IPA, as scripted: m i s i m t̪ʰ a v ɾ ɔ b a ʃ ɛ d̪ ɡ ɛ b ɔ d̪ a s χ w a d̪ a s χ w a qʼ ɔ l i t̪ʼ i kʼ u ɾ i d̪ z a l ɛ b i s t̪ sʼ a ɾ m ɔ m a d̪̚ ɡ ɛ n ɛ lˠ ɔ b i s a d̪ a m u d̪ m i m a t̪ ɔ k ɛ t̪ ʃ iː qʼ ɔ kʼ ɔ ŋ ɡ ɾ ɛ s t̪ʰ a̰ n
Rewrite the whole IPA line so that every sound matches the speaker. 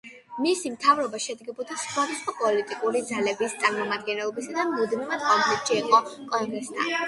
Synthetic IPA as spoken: m i s i m t̪ʰ a v ɾ ɔ b a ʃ ɛ d̪ ɡ ɛ b ɔ d̪ a s χ w a d̪ a s χ w a pʼ ɔ l i t̪ʼ i kʼ u ɾ i d̪ z a l ɛ b i s t̪ sʼ a ɾ m ɔ m a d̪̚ ɡ ɛ n ɛ lˠ ɔ b i s a d̪ a m u d̪ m i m a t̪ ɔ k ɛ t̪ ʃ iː qʼ ɔ kʼ ɔ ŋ ɡ ɾ ɛ s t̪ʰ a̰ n